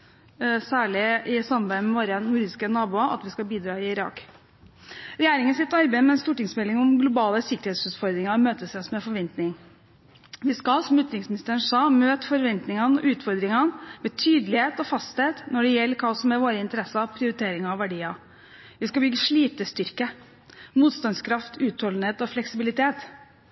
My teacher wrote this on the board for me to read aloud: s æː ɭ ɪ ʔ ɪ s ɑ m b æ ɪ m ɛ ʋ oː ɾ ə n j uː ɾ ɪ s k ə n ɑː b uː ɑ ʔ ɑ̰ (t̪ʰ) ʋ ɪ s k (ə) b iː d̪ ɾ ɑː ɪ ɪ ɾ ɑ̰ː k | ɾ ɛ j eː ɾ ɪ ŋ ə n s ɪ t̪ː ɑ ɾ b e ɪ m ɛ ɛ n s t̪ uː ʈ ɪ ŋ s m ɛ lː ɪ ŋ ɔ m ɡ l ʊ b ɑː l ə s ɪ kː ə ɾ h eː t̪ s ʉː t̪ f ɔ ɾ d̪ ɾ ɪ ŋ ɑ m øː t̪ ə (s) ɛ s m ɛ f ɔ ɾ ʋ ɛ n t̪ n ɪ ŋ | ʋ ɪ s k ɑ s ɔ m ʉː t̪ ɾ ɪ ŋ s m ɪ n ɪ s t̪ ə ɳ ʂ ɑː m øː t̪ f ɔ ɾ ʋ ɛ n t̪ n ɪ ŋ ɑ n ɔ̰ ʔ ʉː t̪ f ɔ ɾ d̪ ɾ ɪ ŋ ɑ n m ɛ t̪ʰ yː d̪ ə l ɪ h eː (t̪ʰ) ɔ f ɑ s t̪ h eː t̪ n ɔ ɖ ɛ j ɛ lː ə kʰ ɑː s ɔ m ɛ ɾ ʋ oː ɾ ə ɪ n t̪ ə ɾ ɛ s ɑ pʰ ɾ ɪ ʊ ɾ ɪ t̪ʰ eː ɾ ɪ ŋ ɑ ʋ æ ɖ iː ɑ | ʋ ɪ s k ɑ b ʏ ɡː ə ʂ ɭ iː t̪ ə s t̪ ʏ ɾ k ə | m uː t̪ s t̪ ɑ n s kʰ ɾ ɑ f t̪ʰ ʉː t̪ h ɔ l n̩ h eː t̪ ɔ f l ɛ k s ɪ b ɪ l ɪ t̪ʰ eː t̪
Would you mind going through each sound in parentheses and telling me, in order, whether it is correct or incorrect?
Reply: incorrect: t̪, incorrect: ɑ, correct, incorrect: t̪

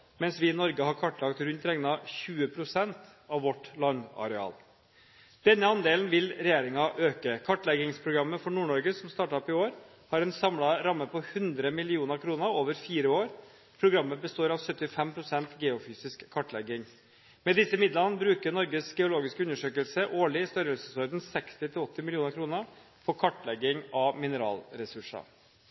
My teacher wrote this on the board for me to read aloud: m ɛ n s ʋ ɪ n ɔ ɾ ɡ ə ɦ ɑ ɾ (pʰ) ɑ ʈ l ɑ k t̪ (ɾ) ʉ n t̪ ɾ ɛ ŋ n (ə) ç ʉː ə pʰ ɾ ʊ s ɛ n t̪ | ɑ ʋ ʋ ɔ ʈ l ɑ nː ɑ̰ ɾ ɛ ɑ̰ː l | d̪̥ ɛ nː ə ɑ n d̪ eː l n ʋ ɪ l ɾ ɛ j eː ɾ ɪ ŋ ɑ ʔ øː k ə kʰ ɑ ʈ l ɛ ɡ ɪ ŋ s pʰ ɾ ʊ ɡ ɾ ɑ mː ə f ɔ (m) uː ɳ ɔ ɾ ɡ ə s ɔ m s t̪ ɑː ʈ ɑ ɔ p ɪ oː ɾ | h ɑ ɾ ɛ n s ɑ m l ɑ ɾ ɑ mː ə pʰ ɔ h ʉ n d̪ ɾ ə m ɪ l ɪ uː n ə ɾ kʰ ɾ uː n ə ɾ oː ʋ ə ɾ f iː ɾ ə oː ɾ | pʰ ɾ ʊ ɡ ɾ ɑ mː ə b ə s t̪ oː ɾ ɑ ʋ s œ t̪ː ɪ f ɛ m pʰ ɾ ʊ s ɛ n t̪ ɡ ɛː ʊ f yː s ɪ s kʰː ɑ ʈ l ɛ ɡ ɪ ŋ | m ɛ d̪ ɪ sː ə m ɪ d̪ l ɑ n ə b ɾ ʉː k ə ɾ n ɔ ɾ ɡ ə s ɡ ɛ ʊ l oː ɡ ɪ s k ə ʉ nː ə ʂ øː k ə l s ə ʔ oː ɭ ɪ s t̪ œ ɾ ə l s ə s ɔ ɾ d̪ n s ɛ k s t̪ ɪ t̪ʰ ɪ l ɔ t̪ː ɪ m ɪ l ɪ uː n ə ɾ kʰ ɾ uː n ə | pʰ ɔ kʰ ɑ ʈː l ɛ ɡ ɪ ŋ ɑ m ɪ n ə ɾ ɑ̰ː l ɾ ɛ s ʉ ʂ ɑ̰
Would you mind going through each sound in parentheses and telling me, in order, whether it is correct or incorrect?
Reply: incorrect: kʰ, correct, incorrect: ɑ, incorrect: ɳ

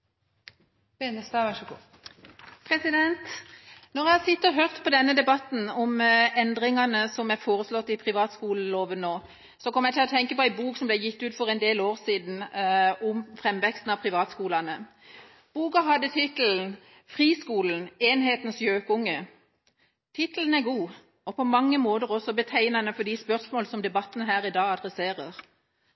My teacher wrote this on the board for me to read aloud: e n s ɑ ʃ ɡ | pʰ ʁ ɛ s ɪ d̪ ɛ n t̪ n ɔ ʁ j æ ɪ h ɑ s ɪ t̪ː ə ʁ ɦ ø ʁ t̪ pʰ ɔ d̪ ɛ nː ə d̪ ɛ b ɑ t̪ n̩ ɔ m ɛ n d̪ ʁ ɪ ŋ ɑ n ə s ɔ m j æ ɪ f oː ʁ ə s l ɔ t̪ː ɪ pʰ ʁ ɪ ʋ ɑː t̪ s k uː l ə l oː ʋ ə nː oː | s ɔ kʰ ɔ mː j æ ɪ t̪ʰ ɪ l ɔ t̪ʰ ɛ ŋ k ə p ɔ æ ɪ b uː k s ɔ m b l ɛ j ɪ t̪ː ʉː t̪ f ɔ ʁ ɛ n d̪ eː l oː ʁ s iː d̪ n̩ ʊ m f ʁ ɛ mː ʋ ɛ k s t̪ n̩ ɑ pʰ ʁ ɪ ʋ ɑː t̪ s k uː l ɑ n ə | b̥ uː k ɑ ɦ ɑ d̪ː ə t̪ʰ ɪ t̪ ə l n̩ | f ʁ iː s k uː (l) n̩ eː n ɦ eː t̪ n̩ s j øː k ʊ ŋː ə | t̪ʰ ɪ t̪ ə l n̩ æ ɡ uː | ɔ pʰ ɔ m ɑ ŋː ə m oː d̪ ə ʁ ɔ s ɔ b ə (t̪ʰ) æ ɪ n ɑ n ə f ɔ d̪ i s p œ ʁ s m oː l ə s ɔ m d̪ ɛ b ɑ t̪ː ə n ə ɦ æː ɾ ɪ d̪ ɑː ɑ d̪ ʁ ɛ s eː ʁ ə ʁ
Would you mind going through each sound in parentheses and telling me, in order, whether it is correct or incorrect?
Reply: correct, correct

